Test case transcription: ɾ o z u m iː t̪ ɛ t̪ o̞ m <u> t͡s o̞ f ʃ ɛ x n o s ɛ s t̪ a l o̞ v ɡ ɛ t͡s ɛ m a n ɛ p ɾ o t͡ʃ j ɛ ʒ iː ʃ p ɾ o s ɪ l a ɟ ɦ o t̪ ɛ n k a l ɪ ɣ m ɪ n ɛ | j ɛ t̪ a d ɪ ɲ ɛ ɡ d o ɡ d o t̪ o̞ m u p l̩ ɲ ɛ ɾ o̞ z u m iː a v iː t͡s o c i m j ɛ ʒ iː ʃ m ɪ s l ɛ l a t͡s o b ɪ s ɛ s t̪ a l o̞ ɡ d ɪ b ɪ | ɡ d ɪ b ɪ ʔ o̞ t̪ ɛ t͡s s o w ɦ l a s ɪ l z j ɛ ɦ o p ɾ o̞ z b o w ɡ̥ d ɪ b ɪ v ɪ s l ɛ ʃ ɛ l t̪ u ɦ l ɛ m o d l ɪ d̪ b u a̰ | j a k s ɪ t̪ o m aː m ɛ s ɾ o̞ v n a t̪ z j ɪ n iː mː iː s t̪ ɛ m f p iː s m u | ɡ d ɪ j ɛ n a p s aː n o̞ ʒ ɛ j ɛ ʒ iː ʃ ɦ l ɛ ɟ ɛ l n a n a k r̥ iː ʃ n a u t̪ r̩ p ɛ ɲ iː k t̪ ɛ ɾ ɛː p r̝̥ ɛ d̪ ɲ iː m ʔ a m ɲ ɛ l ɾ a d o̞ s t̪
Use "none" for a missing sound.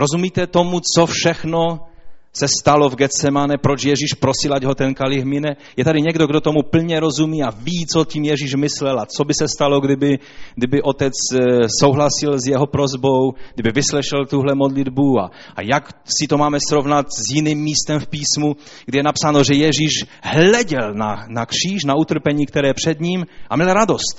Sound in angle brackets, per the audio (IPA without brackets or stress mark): u